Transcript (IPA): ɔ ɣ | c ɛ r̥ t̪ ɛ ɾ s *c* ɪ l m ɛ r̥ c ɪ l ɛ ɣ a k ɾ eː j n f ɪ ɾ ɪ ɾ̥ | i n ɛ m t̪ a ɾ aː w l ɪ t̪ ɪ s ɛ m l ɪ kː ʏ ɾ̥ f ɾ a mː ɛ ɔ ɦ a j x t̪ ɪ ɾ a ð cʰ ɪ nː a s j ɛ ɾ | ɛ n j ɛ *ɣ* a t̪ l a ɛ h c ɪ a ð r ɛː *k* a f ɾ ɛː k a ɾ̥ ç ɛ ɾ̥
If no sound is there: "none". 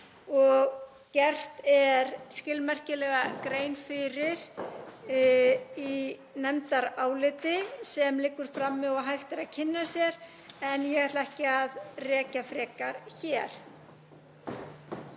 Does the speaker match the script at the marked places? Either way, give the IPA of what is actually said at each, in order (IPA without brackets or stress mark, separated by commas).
c, ɣ, c